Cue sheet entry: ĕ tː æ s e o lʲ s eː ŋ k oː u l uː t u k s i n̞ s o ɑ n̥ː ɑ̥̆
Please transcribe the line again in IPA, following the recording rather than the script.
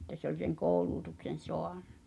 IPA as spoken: ĕ tː æ s e o lʲ s e ŋ k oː u l uː t u k s e n̞ s o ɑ n̥ː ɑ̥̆